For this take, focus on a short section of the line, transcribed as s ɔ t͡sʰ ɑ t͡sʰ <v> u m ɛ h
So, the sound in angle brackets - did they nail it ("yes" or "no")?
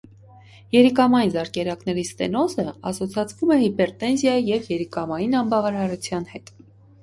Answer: yes